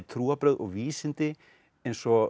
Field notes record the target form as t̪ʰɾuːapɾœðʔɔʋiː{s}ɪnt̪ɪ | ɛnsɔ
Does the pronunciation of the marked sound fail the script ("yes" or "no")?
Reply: no